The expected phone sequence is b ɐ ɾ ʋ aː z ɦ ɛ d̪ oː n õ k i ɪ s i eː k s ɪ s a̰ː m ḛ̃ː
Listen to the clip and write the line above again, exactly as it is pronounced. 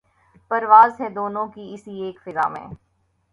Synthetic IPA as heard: p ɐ ɾ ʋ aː z ɦ ɛ d̪ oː n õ k i ɪ s i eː k f ɪ z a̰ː m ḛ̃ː